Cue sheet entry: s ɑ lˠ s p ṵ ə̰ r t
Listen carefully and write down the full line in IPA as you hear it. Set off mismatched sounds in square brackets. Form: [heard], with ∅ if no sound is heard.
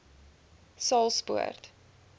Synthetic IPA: s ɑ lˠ s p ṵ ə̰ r t